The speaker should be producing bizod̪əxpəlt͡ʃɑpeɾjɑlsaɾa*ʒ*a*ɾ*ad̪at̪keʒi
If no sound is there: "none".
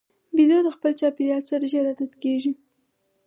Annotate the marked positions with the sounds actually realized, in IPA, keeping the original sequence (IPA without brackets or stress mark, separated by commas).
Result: ʒ, ɾ